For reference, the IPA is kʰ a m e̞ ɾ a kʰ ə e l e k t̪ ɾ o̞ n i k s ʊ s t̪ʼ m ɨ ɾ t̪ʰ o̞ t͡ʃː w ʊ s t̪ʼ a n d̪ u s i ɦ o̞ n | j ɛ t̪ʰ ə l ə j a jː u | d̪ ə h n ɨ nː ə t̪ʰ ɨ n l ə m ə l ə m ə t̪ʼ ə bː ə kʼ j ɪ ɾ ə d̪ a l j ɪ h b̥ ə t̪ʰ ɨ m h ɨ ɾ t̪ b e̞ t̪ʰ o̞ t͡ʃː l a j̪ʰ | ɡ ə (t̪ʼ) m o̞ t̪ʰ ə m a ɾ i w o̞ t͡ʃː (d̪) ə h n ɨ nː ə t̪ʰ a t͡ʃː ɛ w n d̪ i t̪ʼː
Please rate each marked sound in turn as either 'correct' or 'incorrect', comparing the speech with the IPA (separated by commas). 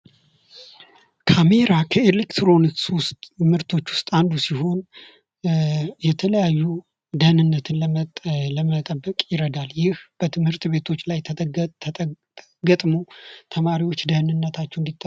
correct, correct